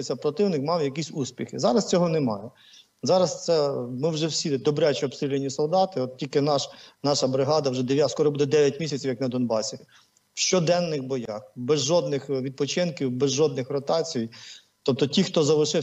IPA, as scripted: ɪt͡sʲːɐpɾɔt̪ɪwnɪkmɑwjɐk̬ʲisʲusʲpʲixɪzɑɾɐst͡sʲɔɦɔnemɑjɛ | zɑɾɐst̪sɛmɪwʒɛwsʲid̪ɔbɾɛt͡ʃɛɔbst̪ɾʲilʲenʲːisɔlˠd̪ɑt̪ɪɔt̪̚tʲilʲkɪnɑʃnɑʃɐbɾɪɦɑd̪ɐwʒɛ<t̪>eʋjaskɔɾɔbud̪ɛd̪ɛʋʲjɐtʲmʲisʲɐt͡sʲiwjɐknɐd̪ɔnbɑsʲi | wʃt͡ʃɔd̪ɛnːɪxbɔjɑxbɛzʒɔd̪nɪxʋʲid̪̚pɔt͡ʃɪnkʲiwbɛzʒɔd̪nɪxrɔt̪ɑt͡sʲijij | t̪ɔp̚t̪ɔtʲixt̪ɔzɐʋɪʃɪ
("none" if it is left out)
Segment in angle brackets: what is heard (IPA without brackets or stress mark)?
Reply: d̪